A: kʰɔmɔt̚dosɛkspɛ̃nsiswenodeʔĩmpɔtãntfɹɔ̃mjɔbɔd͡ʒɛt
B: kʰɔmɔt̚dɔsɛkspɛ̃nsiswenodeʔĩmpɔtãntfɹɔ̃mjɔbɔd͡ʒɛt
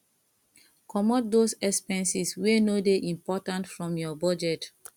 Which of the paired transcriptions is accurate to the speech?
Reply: A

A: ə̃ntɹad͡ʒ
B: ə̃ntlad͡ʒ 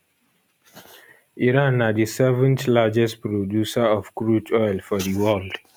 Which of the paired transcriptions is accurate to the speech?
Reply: B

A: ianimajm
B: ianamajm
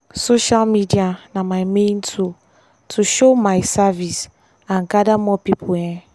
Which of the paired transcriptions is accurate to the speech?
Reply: B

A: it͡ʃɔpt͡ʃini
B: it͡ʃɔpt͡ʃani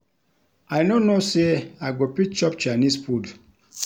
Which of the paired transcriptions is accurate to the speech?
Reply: B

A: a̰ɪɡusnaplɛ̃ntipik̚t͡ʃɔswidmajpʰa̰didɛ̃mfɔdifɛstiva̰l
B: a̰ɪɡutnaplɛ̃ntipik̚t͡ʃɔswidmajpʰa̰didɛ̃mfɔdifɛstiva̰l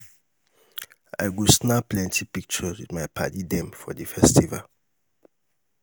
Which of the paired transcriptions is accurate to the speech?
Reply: A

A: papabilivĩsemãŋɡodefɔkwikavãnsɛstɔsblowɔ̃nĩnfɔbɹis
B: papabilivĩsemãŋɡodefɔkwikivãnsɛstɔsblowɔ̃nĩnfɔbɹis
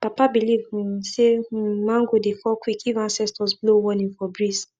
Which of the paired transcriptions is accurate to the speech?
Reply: B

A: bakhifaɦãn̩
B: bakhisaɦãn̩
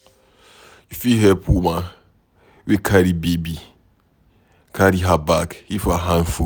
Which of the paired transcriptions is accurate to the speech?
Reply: A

